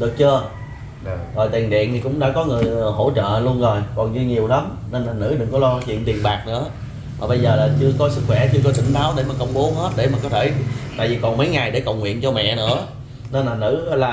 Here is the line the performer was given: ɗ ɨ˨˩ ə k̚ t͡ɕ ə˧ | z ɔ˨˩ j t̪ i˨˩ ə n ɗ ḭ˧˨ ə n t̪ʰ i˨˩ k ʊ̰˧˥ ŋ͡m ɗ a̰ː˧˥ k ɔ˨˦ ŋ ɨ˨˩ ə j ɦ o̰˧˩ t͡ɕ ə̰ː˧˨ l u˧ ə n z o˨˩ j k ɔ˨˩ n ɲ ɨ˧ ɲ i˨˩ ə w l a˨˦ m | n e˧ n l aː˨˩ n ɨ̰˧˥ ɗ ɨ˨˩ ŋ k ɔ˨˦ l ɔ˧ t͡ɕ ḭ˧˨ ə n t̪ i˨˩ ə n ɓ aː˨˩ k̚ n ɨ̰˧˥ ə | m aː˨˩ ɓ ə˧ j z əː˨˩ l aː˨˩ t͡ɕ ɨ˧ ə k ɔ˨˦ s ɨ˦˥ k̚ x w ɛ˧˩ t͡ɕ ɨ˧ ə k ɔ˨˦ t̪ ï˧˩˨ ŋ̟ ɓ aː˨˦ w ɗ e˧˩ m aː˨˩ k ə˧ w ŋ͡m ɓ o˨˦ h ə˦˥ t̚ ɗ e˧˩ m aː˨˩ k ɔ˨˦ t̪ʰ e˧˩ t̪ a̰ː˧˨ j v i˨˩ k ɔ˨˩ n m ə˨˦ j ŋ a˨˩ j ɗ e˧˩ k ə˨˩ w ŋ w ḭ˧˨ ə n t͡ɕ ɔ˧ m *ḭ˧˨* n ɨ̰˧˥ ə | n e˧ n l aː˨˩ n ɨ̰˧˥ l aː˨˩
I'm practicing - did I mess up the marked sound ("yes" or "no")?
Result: yes